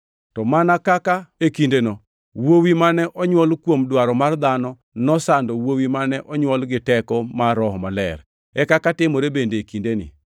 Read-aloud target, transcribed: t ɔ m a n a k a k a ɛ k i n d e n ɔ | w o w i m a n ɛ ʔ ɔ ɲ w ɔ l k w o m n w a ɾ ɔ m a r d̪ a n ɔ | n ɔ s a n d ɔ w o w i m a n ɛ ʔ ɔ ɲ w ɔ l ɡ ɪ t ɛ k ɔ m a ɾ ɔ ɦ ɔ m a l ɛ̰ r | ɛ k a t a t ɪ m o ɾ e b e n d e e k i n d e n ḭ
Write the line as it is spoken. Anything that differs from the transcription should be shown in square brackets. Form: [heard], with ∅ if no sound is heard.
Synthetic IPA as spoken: t ɔ m a n a k a k a [e] k i n d e n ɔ | w o w i m a n ɛ ʔ ɔ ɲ w ɔ l k w o m [d] w a ɾ ɔ m a r d̪ a n ɔ | n ɔ s a n d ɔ w o w i m a n ɛ ʔ ɔ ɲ w ɔ l ɡ ɪ t ɛ k ɔ m a ɾ ɔ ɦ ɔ m a l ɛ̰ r | ɛ k a [k] a t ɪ m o ɾ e b e n d e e k i n d e n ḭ